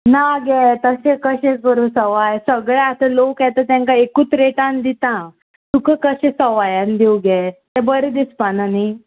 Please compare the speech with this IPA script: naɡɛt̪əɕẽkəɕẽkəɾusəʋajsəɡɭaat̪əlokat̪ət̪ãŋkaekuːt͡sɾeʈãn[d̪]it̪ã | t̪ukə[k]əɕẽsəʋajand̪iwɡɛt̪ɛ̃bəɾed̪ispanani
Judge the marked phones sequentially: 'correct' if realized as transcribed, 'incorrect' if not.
correct, correct

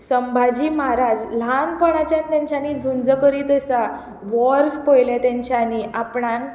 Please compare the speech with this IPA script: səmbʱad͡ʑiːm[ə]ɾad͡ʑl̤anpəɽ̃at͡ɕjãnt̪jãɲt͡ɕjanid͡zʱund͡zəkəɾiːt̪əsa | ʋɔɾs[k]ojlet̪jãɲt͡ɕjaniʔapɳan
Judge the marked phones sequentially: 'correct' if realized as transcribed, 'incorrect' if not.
incorrect, incorrect

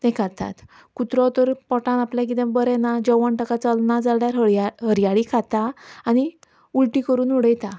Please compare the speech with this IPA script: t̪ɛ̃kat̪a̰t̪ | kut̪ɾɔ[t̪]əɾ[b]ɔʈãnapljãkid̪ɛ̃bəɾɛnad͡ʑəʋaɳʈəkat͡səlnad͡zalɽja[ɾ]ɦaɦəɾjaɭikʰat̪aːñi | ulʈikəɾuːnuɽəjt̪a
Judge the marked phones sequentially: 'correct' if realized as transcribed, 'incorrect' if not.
correct, incorrect, correct

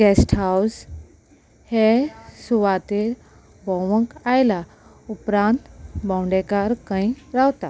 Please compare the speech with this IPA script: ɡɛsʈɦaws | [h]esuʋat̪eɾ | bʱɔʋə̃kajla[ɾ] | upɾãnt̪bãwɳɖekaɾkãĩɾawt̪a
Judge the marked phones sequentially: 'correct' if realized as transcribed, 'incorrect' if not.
correct, incorrect

